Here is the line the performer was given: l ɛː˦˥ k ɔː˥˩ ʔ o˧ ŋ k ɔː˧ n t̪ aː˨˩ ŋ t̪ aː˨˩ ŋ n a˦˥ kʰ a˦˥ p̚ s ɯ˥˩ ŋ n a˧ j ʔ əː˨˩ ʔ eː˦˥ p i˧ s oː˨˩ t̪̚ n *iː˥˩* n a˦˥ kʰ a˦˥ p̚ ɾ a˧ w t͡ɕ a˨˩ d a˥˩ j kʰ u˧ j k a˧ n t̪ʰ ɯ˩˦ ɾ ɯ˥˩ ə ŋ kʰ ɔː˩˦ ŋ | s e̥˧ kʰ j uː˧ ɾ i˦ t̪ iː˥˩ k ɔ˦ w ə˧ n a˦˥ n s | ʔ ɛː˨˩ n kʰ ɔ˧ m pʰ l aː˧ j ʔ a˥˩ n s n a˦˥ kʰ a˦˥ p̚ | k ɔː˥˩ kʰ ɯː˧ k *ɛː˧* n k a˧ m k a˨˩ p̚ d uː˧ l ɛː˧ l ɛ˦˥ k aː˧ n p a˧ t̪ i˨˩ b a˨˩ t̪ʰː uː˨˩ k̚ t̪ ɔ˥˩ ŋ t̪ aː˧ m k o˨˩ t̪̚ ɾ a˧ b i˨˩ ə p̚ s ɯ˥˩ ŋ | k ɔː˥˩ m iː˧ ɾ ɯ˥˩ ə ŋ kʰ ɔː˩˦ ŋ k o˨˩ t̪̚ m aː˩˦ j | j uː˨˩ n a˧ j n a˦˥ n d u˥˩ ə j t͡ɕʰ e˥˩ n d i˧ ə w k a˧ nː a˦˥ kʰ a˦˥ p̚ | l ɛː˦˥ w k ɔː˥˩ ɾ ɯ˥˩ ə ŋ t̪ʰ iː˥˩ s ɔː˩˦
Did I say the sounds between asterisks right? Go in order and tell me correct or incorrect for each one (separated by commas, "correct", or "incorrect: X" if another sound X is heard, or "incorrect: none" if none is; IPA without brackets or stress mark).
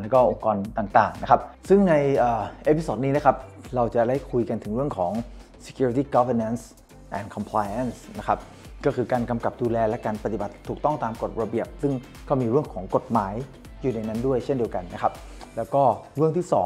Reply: incorrect: iː˦˥, incorrect: aː˧